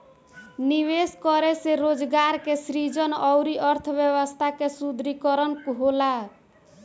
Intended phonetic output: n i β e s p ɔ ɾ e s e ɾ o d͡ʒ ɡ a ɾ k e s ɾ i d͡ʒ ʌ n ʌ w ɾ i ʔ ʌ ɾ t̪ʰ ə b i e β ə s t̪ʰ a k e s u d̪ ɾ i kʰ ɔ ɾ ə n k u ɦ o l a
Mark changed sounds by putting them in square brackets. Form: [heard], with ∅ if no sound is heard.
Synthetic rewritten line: n i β e s [k] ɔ ɾ e s e ɾ o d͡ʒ ɡ a ɾ k e s ɾ i d͡ʒ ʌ n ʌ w ɾ i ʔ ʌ ɾ t̪ʰ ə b [j] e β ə s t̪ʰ a k e s u d̪ ɾ i [k] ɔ ɾ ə n k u ɦ o l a